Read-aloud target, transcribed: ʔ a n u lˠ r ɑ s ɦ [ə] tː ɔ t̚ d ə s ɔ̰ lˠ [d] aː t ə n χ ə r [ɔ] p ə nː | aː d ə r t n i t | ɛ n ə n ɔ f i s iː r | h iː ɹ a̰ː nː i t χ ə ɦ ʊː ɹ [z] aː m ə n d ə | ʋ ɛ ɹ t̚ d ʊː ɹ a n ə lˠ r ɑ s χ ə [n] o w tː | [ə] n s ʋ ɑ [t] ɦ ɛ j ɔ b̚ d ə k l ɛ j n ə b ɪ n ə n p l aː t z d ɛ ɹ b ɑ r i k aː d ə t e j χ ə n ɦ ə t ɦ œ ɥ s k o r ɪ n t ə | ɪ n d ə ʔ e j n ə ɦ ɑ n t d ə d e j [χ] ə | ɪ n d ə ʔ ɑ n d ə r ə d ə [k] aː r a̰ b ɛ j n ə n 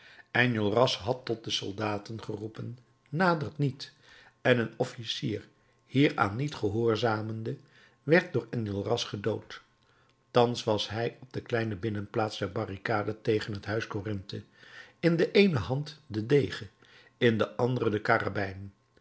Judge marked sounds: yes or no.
no, yes, no, yes, no, no, no, yes, yes

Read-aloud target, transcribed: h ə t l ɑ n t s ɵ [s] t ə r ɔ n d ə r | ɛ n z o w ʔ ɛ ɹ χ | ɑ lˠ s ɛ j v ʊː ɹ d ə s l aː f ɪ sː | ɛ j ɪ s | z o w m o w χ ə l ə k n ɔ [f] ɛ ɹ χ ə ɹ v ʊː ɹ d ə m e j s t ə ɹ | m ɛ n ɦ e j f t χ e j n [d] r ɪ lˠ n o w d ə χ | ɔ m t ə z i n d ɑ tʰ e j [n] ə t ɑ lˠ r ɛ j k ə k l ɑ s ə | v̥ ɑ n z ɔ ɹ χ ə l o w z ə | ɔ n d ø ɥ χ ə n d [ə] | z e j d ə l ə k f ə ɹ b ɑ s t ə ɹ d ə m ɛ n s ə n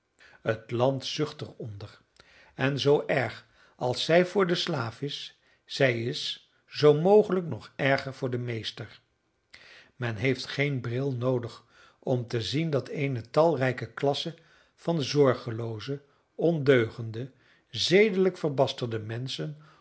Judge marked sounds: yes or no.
no, no, no, yes, yes

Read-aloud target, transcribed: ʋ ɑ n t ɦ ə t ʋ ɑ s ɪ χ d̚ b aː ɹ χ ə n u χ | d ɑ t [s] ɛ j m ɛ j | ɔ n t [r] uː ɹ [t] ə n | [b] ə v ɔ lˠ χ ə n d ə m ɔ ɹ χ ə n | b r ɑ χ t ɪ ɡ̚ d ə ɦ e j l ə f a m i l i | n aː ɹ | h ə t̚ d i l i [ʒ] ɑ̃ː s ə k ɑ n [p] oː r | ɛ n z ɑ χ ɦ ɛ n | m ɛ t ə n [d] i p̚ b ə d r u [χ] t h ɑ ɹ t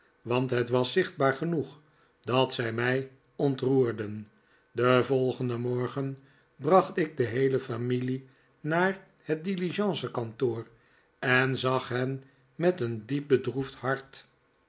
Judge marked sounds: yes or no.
yes, yes, no, no, yes, no, yes, no

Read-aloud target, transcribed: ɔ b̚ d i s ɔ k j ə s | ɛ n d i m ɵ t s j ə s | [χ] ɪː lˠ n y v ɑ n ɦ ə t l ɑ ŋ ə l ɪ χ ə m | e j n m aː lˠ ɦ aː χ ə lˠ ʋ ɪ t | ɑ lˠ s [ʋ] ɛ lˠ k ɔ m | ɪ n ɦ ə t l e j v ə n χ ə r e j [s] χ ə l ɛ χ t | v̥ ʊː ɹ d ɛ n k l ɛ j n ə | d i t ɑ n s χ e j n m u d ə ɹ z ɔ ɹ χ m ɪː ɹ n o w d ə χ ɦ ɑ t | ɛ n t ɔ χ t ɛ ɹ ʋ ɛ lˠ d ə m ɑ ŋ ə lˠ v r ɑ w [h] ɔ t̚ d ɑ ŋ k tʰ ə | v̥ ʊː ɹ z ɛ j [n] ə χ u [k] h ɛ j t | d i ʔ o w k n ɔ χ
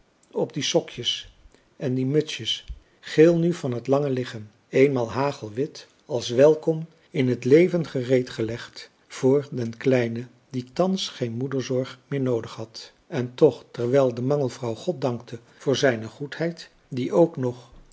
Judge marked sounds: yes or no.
yes, yes, no, no, yes, no

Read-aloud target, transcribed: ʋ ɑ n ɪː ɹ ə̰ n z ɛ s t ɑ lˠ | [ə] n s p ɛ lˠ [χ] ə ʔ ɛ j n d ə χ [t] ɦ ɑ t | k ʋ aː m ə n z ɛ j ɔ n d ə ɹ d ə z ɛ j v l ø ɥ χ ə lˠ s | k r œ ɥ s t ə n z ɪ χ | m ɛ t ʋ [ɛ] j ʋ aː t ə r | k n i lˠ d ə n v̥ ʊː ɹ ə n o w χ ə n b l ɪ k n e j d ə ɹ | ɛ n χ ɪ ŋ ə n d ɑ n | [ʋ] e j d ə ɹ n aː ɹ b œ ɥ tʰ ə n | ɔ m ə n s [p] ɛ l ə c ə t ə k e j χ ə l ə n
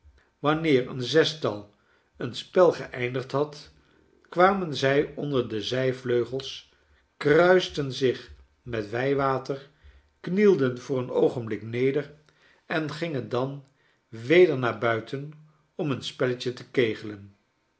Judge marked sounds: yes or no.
yes, yes, yes, yes, yes, yes

